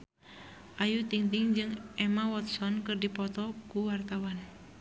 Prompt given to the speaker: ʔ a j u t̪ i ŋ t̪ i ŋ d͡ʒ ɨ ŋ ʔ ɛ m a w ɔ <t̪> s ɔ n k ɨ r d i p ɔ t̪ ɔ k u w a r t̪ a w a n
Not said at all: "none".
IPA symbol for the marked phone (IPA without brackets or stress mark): t̪